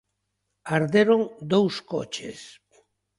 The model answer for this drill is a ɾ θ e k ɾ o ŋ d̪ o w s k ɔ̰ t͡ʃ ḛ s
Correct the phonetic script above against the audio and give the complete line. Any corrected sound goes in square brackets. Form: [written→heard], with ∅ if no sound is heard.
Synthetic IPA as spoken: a ɾ [θ→ð] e [k→∅] ɾ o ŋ d̪ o w s k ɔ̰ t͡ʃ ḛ s